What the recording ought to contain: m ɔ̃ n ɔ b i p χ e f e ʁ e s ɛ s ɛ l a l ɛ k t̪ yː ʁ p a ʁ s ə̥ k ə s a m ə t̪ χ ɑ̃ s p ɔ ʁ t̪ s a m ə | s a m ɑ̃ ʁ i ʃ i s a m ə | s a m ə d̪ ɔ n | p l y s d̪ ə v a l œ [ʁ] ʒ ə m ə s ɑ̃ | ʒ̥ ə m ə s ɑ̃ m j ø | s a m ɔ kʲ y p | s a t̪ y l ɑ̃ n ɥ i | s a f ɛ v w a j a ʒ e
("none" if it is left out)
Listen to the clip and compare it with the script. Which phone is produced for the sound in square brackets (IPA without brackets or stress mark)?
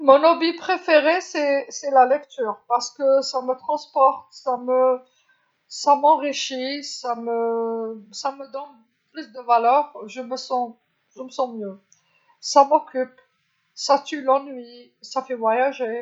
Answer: ʁ